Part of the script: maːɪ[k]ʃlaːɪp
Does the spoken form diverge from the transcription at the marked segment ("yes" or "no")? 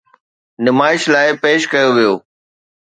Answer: yes